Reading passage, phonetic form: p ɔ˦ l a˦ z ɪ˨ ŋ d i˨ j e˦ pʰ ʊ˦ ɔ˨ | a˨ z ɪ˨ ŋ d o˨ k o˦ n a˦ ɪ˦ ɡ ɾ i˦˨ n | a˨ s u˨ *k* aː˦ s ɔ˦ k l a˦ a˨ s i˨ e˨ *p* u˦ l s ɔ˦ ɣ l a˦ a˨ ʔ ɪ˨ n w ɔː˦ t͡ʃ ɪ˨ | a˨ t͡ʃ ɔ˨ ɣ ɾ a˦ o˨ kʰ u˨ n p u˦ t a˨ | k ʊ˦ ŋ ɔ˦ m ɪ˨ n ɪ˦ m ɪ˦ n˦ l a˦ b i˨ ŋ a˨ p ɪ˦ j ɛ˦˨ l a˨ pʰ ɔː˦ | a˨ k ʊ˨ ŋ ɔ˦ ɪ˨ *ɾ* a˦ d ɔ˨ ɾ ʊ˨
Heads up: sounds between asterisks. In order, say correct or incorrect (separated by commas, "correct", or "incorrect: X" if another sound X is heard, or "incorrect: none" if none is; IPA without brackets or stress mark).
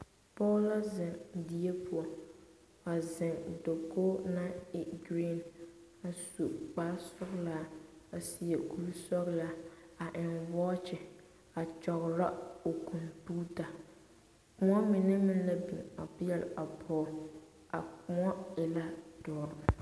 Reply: incorrect: k͡p, incorrect: k, incorrect: l